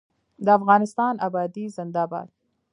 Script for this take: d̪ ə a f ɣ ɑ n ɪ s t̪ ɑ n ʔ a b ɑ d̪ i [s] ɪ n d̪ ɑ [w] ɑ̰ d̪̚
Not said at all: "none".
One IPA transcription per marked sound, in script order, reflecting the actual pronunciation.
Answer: z, b

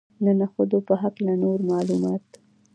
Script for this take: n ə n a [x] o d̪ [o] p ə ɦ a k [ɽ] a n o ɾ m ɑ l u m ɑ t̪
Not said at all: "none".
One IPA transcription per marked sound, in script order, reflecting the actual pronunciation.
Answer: x, o, l

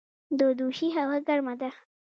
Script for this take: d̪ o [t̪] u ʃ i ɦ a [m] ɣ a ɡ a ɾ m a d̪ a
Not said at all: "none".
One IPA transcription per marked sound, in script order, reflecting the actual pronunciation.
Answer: d̪, none

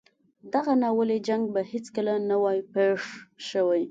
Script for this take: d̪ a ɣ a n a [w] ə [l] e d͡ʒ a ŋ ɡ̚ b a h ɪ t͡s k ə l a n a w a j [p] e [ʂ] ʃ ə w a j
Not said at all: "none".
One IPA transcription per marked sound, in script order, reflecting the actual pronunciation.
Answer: w, l, p, ʂ

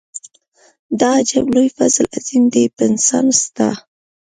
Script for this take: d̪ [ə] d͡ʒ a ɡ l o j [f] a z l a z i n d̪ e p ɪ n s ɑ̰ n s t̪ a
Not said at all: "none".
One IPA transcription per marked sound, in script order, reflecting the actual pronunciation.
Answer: ɑ, f

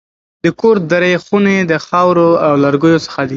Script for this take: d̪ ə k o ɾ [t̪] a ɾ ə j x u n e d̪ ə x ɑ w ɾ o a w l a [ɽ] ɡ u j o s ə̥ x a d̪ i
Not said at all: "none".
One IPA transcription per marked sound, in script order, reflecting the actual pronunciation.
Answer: d̪, ɾ

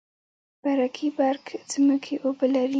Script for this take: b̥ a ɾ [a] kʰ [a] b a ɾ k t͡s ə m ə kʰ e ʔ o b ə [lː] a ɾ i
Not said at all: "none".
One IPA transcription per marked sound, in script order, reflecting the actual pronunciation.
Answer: a, i, l

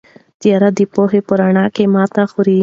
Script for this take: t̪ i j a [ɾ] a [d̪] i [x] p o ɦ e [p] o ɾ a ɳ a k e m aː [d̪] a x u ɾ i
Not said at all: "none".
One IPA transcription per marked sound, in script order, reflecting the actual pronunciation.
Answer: ɾ, d̪, none, p, t̪

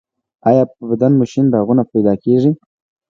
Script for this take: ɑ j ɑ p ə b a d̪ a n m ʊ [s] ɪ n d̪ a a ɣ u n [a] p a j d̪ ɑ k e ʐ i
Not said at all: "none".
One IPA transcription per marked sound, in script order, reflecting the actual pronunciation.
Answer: ʃ, a

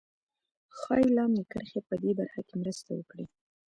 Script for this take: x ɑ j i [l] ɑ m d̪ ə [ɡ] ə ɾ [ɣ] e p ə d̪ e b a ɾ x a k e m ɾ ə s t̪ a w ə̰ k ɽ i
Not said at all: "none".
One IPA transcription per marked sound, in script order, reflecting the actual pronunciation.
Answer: l, k, x

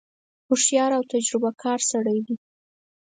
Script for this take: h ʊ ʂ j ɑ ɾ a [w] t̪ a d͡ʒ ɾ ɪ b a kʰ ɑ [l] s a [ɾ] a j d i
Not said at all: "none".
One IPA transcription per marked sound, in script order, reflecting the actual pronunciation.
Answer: w, ɾ, ɽ

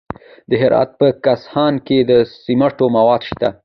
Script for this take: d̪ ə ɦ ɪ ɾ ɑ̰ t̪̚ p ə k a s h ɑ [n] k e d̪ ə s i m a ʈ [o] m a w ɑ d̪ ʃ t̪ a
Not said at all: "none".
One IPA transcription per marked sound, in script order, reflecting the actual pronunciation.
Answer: n, o

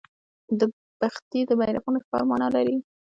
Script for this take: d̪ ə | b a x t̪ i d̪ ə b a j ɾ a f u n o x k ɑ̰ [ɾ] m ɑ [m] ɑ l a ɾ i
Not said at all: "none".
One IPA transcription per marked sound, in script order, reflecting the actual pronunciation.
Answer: ɾ, n

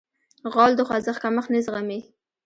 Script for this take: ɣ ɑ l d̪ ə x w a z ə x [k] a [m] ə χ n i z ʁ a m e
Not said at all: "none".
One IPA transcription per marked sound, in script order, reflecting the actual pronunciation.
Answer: k, m

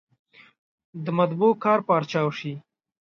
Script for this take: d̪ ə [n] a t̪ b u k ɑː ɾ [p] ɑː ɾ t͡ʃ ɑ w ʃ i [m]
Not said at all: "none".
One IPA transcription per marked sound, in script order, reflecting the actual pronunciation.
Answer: m, p, none

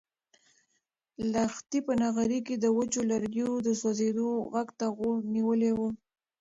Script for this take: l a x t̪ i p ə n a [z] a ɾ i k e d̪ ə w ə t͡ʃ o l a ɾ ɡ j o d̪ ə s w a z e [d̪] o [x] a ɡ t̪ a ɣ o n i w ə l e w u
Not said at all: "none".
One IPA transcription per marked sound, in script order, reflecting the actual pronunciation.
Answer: ɣ, d̪, ɣ

